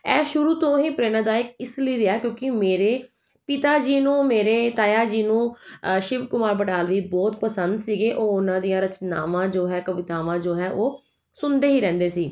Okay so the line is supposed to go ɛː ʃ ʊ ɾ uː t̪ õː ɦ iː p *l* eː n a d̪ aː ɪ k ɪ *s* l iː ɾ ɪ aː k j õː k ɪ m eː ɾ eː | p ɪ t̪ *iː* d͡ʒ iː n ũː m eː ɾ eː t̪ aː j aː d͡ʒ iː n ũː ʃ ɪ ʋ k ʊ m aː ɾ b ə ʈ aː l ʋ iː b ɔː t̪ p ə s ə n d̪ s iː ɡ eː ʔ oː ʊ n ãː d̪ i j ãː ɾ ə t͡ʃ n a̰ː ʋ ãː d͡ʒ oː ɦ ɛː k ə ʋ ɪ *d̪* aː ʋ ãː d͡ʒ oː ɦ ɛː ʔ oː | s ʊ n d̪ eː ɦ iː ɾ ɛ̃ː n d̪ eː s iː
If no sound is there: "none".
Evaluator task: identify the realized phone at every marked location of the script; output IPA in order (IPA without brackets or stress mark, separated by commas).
ɾ, s, aː, t̪